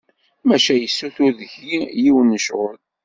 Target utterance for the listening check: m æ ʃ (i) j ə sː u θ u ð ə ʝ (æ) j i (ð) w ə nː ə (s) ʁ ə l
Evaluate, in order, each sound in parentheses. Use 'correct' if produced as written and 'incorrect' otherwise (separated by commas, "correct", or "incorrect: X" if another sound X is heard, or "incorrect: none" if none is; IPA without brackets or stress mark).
incorrect: æ, incorrect: i, incorrect: none, incorrect: ʃ